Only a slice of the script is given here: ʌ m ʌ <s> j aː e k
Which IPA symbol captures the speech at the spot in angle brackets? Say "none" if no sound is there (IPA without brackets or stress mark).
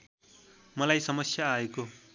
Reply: s